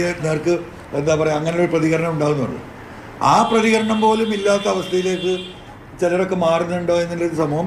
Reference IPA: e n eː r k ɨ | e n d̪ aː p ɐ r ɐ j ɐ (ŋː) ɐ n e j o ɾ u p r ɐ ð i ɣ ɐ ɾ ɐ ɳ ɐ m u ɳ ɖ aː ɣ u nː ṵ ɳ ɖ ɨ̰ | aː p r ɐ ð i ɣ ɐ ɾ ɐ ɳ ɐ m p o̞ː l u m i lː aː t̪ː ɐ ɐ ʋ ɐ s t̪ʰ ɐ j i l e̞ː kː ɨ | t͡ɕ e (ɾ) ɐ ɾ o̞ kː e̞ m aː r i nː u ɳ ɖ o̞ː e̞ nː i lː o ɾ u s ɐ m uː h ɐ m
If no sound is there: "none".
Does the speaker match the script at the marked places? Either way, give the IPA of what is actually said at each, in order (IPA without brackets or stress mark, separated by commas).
ŋː, l